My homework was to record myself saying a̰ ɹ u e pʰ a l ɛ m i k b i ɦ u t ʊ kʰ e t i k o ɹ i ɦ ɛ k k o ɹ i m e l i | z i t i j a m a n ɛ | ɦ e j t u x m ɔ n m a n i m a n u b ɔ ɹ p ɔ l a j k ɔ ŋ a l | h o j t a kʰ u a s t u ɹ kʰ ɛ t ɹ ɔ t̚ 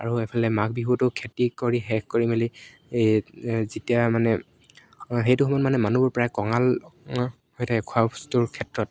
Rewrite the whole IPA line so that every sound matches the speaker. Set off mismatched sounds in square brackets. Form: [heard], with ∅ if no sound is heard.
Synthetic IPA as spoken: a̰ ɹ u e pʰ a l ɛ m [a] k b i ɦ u t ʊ kʰ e t i k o ɹ i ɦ ɛ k k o ɹ i m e l i | z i t i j a m a n ɛ | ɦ e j t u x m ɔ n m a n [ɛ] m a n u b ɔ ɹ p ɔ [ɹ] a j k ɔ ŋ a l | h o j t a kʰ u a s t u ɹ kʰ ɛ t ɹ ɔ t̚